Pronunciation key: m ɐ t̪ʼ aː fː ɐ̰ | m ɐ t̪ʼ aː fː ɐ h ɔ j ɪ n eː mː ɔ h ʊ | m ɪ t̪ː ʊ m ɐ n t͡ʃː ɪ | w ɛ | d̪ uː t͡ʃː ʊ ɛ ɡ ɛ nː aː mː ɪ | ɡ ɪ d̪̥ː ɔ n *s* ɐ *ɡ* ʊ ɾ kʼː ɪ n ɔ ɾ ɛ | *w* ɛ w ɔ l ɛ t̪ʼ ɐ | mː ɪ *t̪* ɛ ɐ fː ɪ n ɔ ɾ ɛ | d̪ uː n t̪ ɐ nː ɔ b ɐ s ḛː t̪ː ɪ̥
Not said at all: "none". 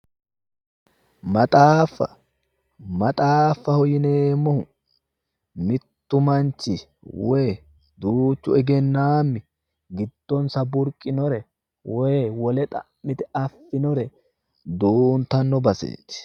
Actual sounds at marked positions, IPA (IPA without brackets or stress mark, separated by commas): s, b, w, t̪